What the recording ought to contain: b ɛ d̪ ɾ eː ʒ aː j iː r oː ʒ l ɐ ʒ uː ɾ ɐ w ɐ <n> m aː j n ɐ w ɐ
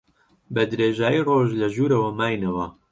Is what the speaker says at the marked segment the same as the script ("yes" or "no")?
no